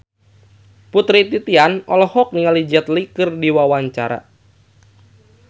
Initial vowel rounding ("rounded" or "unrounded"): rounded